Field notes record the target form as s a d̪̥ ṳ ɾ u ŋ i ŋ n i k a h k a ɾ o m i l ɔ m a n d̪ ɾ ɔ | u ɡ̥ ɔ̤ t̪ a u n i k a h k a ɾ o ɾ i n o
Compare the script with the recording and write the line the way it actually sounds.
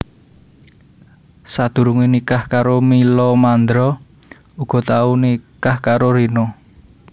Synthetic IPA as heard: s a d̪̥ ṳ ɾ u ŋ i n i k a h k a ɾ o m i l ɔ m a n d̪ ɾ ɔ | u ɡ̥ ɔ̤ t̪ a u n i k a h k a ɾ o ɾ i n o

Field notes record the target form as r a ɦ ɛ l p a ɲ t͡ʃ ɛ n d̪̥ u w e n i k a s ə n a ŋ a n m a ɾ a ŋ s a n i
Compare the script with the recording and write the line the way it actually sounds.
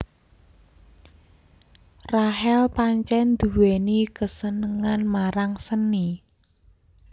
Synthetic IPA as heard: r a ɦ ɛ l p a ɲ t͡ʃ ɛ n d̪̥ u w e n i k ə s ə n ə ŋ a n m a ɾ a ŋ s ə n i

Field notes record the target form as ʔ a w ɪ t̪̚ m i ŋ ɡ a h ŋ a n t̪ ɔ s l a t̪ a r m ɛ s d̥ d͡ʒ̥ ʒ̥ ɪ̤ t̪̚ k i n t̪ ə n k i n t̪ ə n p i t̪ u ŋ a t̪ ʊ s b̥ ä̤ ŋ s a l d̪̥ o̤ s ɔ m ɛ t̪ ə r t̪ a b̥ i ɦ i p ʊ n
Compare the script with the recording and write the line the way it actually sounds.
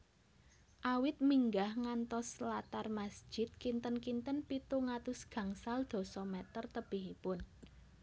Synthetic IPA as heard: ʔ a w ɪ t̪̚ m i ŋ ɡ a h ŋ a n t̪ ɔ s l a t̪ a r m a s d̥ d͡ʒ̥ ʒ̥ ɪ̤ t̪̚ k i n t̪ ə n k i n t̪ ə n p i t̪ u ŋ a t̪ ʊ s ɡ̥ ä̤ ŋ s a l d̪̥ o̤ s ɔ m ɛ t̪ ə r t̪ ə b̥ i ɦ i p ʊ n

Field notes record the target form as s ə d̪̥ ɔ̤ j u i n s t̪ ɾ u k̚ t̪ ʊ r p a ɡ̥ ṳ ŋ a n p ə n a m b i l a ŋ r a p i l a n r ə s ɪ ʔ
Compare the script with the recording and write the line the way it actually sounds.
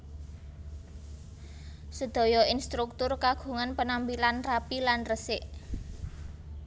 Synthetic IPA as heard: s ə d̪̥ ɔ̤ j ɔ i n s t̪ ɾ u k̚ t̪ ʊ r k a ɡ̥ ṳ ŋ a n p ə n a m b i l a n r a p i l a n r ə s ɪ ʔ

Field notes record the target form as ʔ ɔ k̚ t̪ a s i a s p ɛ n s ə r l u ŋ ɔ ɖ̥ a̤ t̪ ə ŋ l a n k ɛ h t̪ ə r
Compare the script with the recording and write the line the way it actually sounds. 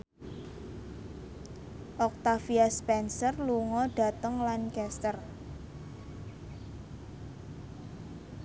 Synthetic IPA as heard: ʔ ɔ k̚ t̪ a f i a s p ɛ n s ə r l u ŋ ɔ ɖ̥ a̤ t̪ ə ŋ l a n k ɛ s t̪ ə r

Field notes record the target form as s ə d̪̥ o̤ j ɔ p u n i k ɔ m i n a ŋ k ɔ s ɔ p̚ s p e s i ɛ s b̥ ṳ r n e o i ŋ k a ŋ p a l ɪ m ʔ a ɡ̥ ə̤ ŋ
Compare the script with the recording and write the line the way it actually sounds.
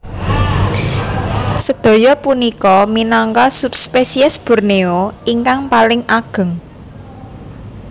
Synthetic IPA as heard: s ə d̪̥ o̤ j ɔ p u n i k ɔ m i n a ŋ k ɔ s u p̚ s p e s i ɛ s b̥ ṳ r n e o i ŋ k a ŋ p a l ɪ ŋ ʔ a ɡ̥ ə̤ ŋ

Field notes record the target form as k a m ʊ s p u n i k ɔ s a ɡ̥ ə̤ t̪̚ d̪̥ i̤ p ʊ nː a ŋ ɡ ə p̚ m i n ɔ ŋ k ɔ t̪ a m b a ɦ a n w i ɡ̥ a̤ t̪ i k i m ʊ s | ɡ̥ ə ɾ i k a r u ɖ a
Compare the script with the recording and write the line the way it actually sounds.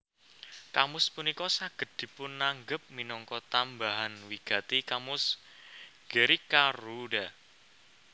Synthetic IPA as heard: k a m ʊ s p u n i k ɔ s a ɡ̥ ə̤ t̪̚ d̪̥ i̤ p ʊ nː a ŋ ɡ ə p̚ m i n ɔ ŋ k ɔ t̪ a m b a ɦ a n w i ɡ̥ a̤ t̪ i k a m ʊ s | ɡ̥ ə ɾ i k a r u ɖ a

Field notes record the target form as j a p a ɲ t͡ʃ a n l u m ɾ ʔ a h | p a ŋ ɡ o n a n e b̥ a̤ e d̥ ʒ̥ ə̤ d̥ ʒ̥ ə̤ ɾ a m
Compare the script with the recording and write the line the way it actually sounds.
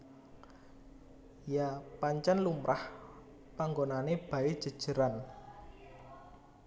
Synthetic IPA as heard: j a p a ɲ t͡ʃ a n l u m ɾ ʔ a h | p a ŋ ɡ o n a n e b̥ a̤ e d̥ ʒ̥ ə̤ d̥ ʒ̥ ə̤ ɾ a n

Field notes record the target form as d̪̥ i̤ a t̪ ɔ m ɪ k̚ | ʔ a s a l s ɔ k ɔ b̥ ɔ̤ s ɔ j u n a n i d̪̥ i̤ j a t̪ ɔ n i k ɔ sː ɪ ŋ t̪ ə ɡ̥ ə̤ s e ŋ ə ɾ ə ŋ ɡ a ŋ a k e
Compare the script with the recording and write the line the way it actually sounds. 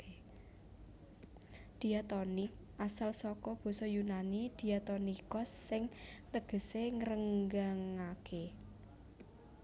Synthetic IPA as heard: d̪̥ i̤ a t̪ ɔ n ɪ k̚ | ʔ a s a l s ɔ k ɔ b̥ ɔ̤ s ɔ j u n a n i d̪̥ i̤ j a t̪ ɔ n i k ɔ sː ɪ ŋ t̪ ə ɡ̥ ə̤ s e ŋ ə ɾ ə ŋ ɡ a ŋ a k e

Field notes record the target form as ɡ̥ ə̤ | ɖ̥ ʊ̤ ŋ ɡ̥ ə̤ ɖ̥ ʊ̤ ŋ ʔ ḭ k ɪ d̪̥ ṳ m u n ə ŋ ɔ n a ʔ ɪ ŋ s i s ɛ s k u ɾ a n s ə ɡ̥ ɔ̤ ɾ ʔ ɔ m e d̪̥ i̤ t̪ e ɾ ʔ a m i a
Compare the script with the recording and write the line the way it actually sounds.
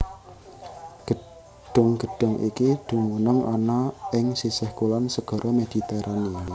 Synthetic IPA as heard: ɡ̥ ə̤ | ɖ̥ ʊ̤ ŋ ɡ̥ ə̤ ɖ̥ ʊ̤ ŋ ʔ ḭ k i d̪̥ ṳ m u n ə ŋ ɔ n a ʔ ɪ ŋ s i s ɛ h k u l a n s ə ɡ̥ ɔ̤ ɾ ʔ ɔ m e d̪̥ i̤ t̪ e ɾ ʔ a n i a

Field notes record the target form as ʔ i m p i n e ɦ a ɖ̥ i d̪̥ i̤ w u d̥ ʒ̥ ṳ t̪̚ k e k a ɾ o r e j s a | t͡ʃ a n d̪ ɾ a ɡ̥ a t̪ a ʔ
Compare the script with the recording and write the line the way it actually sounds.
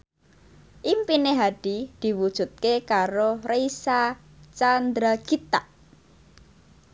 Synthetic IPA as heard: ʔ i m p i n e ɦ a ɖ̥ i d̪̥ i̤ w u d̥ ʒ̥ ṳ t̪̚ k e k a ɾ o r e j s a | t͡ʃ a n d̪ ɾ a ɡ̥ i t̪ a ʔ

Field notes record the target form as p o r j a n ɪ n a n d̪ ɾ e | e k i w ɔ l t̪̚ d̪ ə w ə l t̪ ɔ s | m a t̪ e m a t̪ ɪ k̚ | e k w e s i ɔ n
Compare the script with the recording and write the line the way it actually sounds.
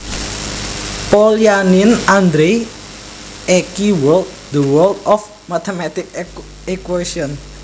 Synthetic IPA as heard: p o l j a n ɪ n a n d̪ ɾ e | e k i w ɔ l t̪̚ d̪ ə w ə l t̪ ɔ f | m a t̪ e m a t̪ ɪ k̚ | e k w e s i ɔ n

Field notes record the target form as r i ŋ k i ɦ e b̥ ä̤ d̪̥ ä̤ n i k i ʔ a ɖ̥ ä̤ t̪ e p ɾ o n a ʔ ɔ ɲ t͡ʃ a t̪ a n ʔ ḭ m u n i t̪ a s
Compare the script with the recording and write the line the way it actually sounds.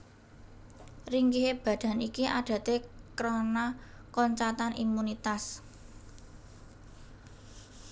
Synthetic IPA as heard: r i ŋ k i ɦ e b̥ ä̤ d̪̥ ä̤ n i k i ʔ a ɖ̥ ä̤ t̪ e k ɾ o n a k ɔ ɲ t͡ʃ a t̪ a n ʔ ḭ m u n i t̪ a s

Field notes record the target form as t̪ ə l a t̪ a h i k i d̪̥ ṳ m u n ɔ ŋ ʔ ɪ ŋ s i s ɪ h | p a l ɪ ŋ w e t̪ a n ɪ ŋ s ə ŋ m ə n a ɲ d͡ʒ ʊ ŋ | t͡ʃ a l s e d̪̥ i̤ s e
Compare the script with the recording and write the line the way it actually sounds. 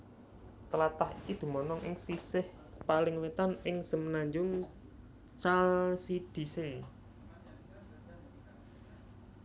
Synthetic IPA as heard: t̪ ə l a t̪ a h i k i d̪̥ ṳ m ɔ n ɔ ŋ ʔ ɪ ŋ s i s ɪ h | p a l ɪ ŋ w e t̪ a n ɪ ŋ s ə m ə n a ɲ d͡ʒ ʊ ŋ | t͡ʃ a l s i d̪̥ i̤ s e

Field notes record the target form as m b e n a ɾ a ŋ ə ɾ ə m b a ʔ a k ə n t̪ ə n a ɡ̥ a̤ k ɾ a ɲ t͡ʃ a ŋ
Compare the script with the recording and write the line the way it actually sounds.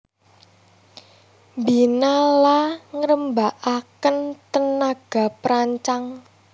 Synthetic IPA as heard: m b i n a l a ŋ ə ɾ ə m b a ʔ a k ə n t̪ ə n a ɡ̥ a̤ p ɾ a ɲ t͡ʃ a ŋ

